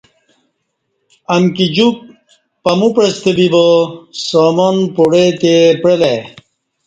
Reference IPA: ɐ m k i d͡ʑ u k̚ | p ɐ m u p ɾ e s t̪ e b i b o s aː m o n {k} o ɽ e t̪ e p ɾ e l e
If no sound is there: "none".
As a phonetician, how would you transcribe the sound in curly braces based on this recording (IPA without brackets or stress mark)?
p